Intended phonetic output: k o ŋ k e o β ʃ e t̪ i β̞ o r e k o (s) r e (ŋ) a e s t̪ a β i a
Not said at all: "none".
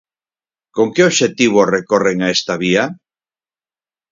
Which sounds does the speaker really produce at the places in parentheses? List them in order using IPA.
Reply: none, ŋ

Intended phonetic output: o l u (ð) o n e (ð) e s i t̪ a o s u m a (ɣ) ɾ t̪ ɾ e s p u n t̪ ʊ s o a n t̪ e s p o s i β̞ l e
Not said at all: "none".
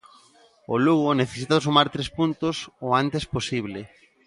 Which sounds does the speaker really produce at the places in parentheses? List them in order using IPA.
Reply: ɣ, θ, none

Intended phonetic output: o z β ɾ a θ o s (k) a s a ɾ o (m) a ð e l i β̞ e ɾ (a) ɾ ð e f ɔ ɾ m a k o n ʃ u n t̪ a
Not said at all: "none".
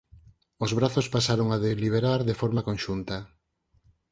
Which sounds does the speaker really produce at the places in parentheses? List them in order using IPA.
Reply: p, ŋ, a

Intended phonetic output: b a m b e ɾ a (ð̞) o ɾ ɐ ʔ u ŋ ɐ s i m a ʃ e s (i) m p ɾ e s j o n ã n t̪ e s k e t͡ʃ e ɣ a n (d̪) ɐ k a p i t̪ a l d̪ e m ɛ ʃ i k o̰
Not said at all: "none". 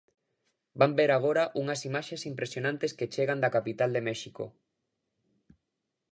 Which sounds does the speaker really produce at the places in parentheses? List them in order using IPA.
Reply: ɣ̞, i, d̪

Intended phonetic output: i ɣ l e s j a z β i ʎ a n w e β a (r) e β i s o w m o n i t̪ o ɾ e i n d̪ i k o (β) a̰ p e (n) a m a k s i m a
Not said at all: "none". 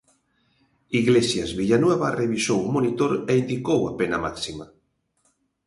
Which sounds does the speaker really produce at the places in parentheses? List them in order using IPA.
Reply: r, w, n

